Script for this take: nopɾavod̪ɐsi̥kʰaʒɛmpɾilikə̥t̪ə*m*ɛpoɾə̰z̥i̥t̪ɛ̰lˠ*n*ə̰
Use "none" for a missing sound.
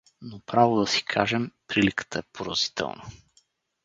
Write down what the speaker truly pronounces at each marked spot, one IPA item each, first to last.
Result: none, n

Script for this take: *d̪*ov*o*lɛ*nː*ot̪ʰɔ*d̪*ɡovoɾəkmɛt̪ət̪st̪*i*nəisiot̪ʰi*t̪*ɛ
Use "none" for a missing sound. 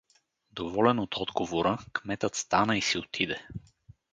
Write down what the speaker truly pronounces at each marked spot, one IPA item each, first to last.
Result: d̪, ɔ, n, d̪, a, d̪

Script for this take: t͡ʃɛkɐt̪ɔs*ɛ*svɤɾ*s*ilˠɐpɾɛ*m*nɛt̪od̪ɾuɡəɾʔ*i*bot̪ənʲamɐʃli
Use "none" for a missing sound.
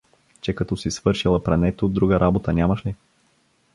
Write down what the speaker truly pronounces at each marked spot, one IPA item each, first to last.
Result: i, ʃ, none, a

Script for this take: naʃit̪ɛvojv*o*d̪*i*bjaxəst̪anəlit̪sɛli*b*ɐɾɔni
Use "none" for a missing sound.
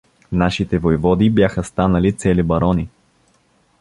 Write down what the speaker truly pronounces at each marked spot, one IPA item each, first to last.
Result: ɔ, i, b

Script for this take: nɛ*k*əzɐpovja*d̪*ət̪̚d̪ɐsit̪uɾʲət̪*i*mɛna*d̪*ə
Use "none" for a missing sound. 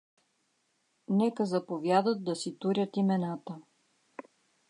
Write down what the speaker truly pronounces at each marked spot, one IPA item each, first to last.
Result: k, d̪, i, t̪

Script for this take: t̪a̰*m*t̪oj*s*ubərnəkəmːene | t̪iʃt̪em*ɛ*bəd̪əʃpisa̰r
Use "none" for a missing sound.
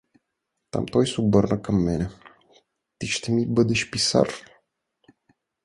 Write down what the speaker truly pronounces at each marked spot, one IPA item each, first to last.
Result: m, s, i

